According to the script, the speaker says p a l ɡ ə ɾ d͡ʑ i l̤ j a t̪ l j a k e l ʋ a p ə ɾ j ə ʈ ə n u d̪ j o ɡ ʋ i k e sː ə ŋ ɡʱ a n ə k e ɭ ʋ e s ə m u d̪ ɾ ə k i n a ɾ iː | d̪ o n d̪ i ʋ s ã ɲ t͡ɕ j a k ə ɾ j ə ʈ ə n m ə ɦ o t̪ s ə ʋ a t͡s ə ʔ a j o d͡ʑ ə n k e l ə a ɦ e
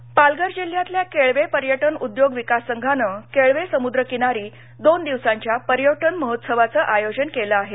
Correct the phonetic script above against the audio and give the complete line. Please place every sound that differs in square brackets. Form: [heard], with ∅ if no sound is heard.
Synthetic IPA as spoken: p a l ɡ ə ɾ d͡ʑ i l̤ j a t̪ l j a k e [ɭ] ʋ [e] p ə ɾ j ə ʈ ə n u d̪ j o ɡ ʋ i k [a] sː ə ŋ ɡʱ a n ə k e ɭ ʋ e s ə m u d̪ ɾ ə k i n a ɾ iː | d̪ o n d̪ i ʋ s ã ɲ t͡ɕ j a [p] ə ɾ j ə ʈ ə n m ə ɦ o t̪ s ə ʋ a t͡s ə ʔ a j o d͡ʑ ə n k e l ə a ɦ e